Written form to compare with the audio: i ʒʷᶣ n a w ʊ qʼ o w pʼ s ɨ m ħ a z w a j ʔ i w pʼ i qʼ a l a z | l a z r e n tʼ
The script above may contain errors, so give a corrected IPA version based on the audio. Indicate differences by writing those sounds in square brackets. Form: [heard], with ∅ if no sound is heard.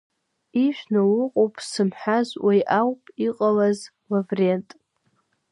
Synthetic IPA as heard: i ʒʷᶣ n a w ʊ qʼ o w pʼ s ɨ m ħ a z w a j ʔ [a] w pʼ i qʼ a l a z | l a [v] r e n tʼ